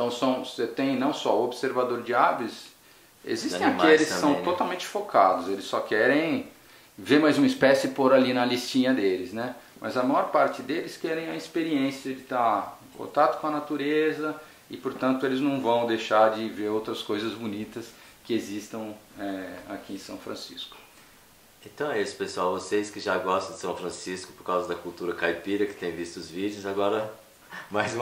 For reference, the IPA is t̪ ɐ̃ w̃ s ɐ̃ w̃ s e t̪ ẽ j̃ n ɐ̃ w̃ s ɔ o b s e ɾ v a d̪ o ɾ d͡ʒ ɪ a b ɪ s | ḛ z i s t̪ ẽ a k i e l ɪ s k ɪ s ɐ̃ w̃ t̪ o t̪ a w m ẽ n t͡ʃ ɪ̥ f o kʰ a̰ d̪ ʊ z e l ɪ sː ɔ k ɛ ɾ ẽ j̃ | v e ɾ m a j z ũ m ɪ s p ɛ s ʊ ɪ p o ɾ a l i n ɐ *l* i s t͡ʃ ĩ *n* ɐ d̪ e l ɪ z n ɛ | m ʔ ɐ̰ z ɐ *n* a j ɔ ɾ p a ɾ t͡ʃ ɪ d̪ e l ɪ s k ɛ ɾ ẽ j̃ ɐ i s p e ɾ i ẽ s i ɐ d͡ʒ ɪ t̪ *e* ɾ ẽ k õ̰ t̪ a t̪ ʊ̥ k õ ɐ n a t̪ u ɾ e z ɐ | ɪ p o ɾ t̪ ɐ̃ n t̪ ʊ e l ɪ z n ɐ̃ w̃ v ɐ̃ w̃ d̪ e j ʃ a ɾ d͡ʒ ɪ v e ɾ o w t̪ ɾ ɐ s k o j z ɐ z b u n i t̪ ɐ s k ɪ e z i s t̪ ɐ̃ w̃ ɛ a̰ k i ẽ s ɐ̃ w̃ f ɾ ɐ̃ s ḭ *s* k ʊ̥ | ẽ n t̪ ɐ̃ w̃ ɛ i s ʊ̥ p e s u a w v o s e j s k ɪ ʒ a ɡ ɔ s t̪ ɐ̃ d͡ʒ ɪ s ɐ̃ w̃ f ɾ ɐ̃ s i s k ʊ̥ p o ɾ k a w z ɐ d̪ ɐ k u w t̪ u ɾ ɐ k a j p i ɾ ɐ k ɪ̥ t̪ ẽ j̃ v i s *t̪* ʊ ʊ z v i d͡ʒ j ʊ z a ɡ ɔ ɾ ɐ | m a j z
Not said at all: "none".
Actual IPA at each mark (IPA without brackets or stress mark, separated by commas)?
l, ɲ, m, a, s, t̪